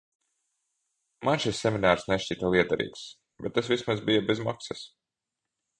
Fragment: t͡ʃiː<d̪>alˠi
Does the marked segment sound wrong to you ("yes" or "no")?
yes